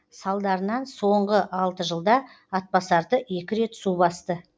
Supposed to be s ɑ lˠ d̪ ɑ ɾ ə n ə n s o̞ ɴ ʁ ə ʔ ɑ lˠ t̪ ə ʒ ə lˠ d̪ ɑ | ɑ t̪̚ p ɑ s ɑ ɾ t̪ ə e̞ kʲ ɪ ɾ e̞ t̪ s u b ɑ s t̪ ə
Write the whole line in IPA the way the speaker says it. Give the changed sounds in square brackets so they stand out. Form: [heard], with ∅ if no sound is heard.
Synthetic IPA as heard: s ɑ lˠ d̪ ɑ ɾ ə n [ɑ] n s o̞ ɴ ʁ ə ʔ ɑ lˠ t̪ ə ʒ ə lˠ d̪ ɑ | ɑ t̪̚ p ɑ s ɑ ɾ [d̪] ə e̞ kʲ ɪ ɾ e̞ t̪ s u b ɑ s t̪ ə